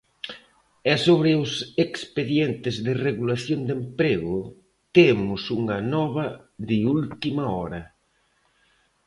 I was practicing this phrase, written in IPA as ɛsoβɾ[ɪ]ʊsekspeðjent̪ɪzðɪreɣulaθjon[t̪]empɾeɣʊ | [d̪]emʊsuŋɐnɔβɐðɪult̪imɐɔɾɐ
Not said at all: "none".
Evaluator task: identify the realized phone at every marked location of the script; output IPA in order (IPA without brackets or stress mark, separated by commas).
ɪ, d̪, t̪